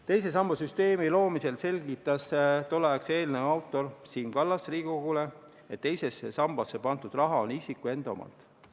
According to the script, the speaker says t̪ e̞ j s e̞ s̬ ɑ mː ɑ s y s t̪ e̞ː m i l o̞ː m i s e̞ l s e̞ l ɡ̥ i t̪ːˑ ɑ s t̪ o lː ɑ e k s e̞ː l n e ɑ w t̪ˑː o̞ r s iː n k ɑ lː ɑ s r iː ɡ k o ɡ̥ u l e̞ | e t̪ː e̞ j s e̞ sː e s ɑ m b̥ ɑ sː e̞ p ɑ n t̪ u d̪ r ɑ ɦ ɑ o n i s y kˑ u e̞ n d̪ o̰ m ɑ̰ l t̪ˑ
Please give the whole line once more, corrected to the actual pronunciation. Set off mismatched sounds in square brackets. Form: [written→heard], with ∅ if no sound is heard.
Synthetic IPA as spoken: t̪ e̞ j s e̞ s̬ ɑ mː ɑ s y s t̪ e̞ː m i l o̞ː m i s e̞ l s e̞ l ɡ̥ i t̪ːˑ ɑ s t̪ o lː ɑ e k s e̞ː l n e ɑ w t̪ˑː o̞ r s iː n k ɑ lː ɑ s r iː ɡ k o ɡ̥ u l e̞ | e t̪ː e̞ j s e̞ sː e s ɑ m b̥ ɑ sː e̞ p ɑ n t̪ u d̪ r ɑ ɦ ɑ o n i s [y→i] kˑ u e̞ n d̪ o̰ m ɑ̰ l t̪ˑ

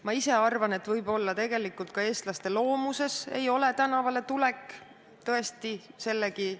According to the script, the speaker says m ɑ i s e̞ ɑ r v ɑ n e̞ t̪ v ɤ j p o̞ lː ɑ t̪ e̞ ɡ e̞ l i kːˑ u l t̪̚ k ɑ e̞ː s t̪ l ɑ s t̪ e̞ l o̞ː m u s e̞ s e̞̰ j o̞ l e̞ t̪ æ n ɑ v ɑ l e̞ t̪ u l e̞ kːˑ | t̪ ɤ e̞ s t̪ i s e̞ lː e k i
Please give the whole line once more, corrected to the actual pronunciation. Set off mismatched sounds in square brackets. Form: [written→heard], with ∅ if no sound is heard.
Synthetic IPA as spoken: m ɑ i s e̞ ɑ r v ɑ n e̞ t̪ v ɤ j [p→b] o̞ lː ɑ t̪ e̞ ɡ e̞ l i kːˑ u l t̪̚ k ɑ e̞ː s t̪ l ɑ s t̪ e̞ l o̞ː m u s e̞ s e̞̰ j o̞ l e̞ t̪ æ n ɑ v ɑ l e̞ t̪ u l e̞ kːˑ | t̪ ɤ e̞ s t̪ i s e̞ lː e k i

